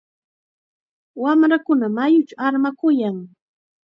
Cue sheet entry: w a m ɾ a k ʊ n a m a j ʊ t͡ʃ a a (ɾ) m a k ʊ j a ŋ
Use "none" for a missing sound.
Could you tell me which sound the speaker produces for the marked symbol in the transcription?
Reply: ɾ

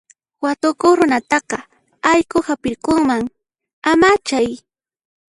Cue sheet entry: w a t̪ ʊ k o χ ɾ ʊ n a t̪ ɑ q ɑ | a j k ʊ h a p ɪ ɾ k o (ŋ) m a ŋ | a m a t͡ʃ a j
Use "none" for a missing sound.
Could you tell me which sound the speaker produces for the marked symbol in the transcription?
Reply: ŋ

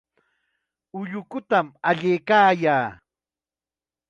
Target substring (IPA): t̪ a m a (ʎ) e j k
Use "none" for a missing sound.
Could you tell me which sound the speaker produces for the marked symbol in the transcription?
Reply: ʎ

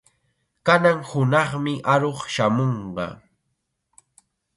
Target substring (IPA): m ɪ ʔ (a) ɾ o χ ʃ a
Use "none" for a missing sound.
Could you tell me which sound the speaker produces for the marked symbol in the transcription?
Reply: a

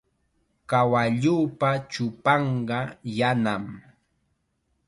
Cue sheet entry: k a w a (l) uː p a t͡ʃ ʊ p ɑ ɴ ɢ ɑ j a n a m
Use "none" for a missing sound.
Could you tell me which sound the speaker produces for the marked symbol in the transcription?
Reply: ʎ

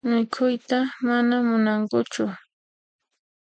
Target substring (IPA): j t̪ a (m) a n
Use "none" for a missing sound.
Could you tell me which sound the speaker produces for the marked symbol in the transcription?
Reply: m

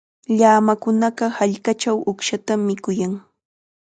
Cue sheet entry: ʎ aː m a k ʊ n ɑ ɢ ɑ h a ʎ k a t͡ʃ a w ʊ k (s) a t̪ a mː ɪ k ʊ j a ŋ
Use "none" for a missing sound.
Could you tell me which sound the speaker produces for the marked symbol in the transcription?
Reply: ʃ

